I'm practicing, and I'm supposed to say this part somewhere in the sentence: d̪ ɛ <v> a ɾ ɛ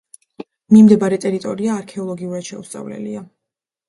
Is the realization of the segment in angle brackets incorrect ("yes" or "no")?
yes